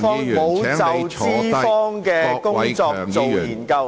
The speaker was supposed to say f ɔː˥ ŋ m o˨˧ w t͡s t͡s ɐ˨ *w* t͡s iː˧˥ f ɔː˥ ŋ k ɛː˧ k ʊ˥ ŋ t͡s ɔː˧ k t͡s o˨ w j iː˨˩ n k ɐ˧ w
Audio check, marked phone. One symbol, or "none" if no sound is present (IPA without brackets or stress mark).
w